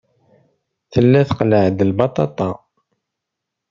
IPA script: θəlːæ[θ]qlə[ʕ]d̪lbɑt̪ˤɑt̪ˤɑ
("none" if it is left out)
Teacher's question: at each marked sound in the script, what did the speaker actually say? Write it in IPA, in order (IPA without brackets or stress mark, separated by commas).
θ, ʕ